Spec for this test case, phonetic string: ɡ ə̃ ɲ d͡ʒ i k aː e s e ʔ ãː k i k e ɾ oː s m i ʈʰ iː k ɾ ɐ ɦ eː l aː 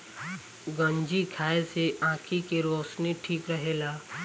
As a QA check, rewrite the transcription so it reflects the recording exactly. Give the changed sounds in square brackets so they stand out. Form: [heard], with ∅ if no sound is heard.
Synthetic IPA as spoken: ɡ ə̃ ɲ d͡ʒ i [kʰ] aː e s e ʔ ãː [kʰ] i k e ɾ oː s [n] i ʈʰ iː k ɾ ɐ ɦ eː l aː